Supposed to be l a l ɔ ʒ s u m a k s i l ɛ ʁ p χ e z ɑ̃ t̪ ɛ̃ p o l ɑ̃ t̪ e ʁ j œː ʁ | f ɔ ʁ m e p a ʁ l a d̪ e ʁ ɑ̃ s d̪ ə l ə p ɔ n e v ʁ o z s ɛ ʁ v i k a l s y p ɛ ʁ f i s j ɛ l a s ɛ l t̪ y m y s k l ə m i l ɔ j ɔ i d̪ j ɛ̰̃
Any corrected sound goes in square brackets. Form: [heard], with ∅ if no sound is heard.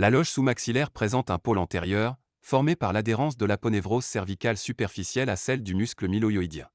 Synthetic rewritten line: l a l ɔ ʒ s u m a k s i l ɛ ʁ p χ e z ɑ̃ t̪ ɛ̃ p o l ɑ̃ t̪ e ʁ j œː ʁ | f ɔ ʁ m e p a ʁ l a d̪ e ʁ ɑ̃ s d̪ ə l [a] p ɔ n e v ʁ o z s ɛ ʁ v i k a l s y p ɛ ʁ f i s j ɛ l a s ɛ l [d̪] y m y s k l ə m i l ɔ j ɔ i d̪ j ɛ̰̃

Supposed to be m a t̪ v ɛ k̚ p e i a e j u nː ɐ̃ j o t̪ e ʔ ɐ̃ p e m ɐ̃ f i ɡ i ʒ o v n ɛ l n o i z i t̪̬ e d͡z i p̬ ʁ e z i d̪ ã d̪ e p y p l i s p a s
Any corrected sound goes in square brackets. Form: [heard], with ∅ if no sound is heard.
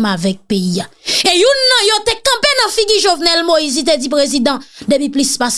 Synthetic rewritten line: m a [∅] v ɛ k̚ p e i a e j u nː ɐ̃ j o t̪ e [k] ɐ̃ p e [n] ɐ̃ f i ɡ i ʒ o v n ɛ l [m] o i z i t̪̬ e d͡z i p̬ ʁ e z i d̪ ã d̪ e p [i] p l i s p a s

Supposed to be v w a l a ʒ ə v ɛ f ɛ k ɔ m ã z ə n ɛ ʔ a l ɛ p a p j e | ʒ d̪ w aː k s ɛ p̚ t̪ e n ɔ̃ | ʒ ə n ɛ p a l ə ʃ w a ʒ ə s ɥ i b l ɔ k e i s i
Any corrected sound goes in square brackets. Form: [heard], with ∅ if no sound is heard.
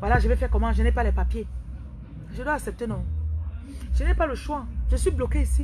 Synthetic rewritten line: v w a l a ʒ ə v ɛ f ɛ k ɔ m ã [ʒ] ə n ɛ [p] a l ɛ p a p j e | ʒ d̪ w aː k s ɛ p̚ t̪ e n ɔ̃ | ʒ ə n ɛ p a l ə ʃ w a ʒ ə s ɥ i b l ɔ k e i s i

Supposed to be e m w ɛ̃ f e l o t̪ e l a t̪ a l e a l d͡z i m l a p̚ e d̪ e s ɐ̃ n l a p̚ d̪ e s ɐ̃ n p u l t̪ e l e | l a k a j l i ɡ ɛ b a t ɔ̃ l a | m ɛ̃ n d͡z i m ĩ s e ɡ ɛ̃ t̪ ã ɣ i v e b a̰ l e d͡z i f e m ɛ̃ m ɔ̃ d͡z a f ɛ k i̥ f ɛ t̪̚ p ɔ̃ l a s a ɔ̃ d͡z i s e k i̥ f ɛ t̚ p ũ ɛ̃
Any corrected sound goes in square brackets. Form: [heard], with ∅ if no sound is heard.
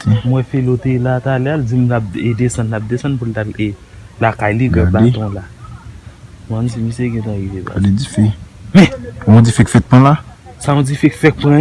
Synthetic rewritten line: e m w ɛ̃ f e l o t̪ e l a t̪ a l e a l d͡z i m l a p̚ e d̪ e s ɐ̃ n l a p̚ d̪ e s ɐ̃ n p u l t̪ [a] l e | l a k a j l i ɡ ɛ b a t ɔ̃ l a | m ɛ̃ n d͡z i m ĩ s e ɡ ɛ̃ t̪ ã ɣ i v e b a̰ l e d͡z i f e m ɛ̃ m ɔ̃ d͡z [i] f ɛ k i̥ f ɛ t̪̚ p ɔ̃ l a s a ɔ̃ d͡z i [f] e k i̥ f ɛ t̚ p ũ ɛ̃

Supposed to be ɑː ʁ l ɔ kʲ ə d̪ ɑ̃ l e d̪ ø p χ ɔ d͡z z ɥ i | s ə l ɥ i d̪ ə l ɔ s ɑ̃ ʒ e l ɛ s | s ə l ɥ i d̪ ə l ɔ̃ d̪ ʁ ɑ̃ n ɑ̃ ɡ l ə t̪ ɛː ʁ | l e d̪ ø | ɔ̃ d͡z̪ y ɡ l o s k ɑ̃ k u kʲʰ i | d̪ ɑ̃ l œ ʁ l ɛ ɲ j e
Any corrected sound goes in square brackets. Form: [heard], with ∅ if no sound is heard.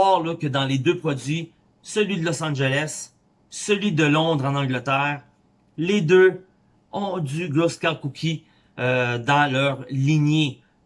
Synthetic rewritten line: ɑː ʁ l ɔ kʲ ə d̪ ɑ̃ l e d̪ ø p χ ɔ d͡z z ɥ i | s ə l ɥ i d̪ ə l ɔ s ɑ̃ ʒ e l ɛ s | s ə l ɥ i d̪ ə l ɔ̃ d̪ ʁ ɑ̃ n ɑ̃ ɡ l ə t̪ ɛː ʁ | l e d̪ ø | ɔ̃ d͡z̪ y ɡ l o s k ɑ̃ k u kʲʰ i | d̪ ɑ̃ l œ ʁ l [i] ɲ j e

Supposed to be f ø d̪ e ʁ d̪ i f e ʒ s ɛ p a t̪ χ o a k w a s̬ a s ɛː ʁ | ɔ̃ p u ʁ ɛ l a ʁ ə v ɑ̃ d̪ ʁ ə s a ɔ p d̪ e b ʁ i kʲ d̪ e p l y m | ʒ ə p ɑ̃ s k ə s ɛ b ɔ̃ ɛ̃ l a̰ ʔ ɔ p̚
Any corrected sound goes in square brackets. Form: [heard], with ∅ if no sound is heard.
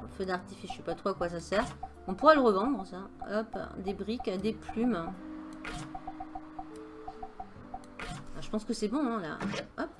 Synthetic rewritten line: f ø d̪ [a] ʁ [t̪] i f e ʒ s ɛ p a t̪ χ o a k w a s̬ a s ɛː ʁ | ɔ̃ p u ʁ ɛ l [ə] ʁ ə v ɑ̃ d̪ ʁ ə s a ɔ p d̪ e b ʁ i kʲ d̪ e p l y m | ʒ ə p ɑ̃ s k ə s ɛ b ɔ̃ ɛ̃ l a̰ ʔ ɔ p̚

